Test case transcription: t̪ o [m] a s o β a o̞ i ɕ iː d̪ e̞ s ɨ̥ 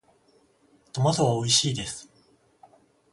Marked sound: correct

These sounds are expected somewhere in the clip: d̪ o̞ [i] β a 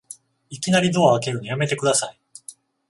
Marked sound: incorrect: a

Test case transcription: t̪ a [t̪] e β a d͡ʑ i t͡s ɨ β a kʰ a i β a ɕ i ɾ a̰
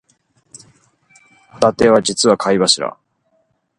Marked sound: correct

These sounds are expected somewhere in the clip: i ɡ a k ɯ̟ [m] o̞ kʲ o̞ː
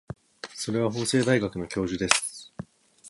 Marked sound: incorrect: n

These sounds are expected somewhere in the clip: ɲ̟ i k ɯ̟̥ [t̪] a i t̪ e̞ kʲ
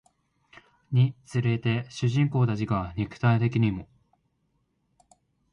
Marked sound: correct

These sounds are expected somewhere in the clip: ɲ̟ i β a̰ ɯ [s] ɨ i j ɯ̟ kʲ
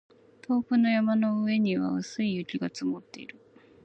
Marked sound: correct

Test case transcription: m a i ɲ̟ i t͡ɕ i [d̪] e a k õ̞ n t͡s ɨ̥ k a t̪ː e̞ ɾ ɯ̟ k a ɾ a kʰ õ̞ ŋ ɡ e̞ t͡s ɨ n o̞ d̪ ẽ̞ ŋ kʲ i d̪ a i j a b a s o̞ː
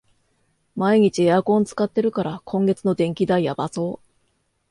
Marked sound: incorrect: none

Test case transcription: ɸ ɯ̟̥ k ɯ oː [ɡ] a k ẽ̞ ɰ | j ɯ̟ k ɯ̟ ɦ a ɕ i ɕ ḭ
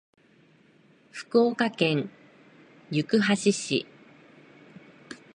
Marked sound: incorrect: k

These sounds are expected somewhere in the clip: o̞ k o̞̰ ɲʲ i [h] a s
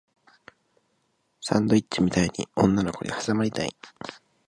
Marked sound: correct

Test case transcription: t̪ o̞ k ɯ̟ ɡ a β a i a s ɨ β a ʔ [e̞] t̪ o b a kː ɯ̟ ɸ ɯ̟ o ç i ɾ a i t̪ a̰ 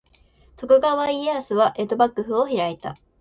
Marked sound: correct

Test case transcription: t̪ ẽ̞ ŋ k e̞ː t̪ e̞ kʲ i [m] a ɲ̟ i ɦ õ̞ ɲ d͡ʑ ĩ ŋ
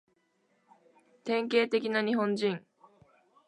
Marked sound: incorrect: n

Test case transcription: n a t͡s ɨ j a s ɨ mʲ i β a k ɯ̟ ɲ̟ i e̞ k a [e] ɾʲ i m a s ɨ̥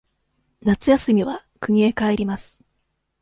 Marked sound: correct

